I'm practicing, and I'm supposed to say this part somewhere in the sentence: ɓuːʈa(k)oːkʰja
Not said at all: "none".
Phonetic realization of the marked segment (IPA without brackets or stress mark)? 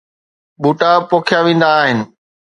p